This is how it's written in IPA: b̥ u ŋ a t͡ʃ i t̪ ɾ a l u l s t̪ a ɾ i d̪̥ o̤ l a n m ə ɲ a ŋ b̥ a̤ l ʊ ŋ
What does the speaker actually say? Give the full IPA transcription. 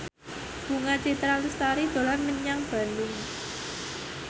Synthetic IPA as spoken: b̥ u ŋ a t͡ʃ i t̪ ɾ a l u s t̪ a ɾ i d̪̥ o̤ l a n m ə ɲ a ŋ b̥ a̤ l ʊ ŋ